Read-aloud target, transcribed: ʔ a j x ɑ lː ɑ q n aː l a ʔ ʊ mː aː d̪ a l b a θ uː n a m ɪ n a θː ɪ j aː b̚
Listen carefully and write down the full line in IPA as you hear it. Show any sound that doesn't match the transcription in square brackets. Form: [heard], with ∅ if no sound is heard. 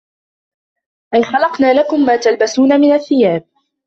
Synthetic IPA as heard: ʔ a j x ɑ [l] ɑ q n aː l a [k] ʊ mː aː [t̪] a l b a [s] uː n a m ɪ n a θː ɪ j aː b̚